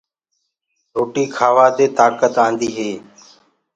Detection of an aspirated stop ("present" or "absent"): present